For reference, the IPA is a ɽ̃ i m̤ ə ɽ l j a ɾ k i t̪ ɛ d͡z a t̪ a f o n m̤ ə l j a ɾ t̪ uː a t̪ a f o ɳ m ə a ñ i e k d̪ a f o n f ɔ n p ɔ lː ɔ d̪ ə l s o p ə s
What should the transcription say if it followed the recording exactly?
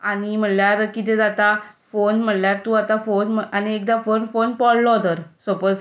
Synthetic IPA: a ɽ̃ i m̤ ə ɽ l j a ɾ k i t̪ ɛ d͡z a t̪ a f o n m̤ ə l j a ɾ t̪ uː a t̪ a f o n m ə a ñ i e k d̪ a f o n f o n p ɔ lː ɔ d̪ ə ɾ s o p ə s